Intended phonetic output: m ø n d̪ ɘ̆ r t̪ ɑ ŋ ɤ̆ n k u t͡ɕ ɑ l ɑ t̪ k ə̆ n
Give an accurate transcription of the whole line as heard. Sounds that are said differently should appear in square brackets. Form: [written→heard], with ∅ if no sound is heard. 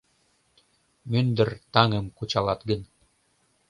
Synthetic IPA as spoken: m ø n d̪ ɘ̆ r t̪ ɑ ŋ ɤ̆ [n→m] k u t͡ɕ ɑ l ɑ t̪ [k→ɡ] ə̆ n